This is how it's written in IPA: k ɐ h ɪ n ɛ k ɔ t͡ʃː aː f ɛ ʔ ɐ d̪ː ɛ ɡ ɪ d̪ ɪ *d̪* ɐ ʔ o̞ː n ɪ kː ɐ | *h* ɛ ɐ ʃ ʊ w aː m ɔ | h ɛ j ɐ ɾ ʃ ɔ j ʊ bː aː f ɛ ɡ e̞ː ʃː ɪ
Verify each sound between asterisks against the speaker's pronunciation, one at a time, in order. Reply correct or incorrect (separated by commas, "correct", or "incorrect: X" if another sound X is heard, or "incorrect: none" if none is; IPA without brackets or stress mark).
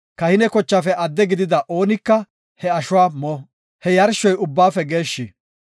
correct, correct